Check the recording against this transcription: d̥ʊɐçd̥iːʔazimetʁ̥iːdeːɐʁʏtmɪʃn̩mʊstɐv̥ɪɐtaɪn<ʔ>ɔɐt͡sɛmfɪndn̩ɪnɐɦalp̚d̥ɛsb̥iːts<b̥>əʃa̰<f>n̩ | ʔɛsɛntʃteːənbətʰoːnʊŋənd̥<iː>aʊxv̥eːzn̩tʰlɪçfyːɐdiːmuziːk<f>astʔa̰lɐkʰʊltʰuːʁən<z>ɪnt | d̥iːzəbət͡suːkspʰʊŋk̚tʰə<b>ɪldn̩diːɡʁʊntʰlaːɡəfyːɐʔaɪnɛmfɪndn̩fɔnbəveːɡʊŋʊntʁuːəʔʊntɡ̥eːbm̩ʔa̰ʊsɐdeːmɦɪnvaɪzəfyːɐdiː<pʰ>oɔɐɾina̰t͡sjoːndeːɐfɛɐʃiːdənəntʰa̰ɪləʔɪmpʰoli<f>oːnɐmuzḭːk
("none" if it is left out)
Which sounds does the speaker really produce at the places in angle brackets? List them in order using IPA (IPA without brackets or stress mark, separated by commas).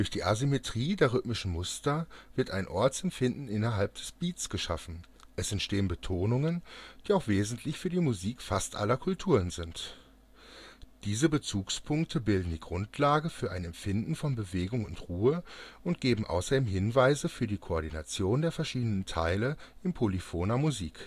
ʔ, ɡ̥, f, iː, f, z, b, kʰ, f